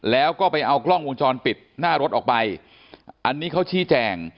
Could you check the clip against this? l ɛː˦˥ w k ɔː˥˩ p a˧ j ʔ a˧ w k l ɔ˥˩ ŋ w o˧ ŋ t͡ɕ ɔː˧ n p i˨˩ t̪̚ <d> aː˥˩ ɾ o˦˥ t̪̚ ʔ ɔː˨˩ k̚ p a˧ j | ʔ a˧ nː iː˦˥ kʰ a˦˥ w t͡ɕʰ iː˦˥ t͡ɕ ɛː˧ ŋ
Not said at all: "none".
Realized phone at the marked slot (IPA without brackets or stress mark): n